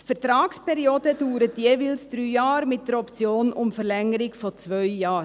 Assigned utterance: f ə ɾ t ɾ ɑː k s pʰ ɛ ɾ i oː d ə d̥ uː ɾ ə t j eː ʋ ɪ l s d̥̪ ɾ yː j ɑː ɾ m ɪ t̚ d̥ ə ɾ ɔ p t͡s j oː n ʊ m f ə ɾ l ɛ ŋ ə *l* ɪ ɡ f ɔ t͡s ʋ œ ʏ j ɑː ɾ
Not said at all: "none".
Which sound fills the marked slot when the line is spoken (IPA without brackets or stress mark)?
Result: ɾ